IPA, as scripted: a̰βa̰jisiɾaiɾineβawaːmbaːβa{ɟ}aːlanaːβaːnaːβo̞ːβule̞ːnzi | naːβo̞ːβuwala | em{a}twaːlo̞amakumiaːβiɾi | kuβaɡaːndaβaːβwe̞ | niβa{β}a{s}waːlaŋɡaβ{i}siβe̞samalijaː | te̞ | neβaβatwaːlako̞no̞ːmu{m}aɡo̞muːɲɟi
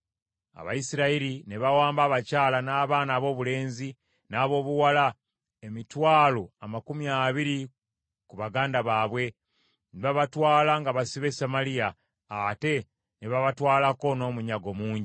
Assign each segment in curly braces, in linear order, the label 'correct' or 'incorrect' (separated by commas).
incorrect, incorrect, correct, incorrect, incorrect, incorrect